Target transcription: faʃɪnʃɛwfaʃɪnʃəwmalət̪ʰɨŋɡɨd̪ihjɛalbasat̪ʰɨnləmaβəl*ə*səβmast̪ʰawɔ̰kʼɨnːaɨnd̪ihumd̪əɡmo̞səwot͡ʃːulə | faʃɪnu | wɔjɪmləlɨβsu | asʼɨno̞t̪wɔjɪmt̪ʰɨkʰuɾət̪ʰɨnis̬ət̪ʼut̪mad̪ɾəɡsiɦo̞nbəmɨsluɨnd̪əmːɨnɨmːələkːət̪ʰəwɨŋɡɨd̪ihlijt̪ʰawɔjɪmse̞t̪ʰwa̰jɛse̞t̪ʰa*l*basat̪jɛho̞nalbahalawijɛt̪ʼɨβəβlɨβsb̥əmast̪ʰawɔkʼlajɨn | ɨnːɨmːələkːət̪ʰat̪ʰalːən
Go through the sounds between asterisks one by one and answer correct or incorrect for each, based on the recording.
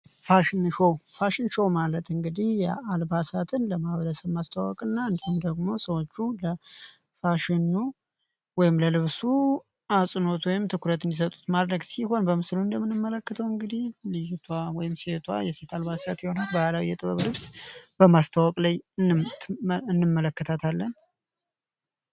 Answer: correct, correct

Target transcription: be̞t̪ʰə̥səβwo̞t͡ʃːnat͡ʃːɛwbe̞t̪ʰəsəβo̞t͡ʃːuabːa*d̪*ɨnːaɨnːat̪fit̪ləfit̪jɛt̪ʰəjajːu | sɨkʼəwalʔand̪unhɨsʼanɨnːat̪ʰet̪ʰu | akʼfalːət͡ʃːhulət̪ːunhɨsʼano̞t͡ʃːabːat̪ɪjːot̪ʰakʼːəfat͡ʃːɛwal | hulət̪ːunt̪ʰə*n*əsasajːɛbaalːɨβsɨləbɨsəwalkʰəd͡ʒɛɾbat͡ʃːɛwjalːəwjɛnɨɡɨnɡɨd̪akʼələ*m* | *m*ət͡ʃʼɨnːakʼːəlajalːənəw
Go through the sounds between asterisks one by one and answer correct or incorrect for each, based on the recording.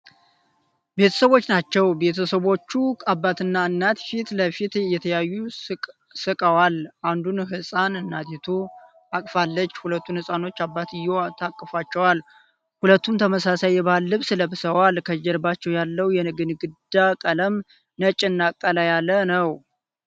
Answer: incorrect: t̪, incorrect: m, correct, incorrect: n

